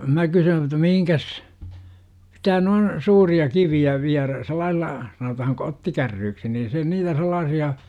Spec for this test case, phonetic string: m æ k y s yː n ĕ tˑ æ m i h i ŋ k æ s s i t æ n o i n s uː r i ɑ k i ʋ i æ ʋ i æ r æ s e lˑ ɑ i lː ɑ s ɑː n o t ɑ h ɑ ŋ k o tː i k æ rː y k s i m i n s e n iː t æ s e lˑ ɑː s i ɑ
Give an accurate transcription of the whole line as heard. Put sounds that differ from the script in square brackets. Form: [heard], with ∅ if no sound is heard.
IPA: m æ k y s yː n ĕ tˑ æ m i h i ŋ k æ s s i t æ n o i n s uː r i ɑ k i ʋ i æ ʋ i æ r æ s e lˑ ɑ i lː ɑ s [ɑ] n o t ɑ h ɑ ŋ k o tː i k æ rː [yː] k s i [n] i n s e n iː t æ s e lˑ ɑː s i ɑ